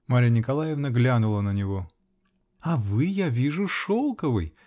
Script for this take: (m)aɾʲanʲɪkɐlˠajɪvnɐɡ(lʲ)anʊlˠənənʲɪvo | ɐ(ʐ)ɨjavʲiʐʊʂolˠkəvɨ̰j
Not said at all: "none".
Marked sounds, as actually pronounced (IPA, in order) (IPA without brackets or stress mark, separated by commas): m, lʲ, v